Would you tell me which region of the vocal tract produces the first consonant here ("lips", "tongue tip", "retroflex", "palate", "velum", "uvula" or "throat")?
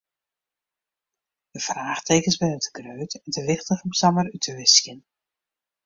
tongue tip